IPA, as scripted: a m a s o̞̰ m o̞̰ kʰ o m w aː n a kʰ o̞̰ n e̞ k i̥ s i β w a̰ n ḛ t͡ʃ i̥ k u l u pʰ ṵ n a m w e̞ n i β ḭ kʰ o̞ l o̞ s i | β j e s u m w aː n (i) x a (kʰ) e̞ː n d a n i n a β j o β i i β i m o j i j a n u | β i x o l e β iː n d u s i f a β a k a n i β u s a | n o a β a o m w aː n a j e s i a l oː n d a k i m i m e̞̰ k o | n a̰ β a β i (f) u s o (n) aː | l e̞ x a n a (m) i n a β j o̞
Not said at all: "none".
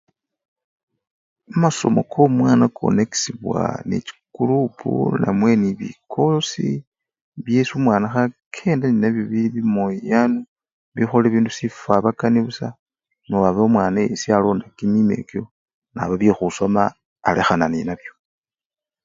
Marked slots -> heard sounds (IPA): a, kʰ, x, m, n

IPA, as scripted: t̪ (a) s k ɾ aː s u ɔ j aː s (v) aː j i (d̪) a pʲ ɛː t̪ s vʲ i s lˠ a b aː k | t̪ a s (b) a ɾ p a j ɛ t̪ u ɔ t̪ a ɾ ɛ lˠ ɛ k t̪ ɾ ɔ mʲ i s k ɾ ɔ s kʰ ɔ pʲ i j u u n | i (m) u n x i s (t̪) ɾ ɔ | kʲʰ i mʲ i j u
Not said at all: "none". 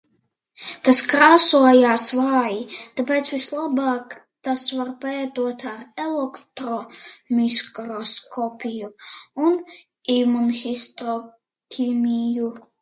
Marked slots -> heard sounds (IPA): a, v, t̪, v, m, t̪

